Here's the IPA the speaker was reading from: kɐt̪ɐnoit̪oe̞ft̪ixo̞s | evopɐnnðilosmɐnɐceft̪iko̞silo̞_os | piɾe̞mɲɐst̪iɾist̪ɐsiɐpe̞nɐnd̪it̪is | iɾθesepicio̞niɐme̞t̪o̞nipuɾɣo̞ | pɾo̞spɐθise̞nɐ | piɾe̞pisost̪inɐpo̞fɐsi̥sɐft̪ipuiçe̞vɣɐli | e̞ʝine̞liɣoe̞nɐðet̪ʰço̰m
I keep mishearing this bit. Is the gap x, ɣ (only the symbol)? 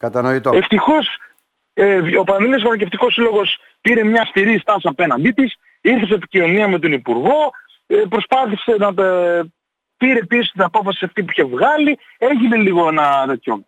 ɣ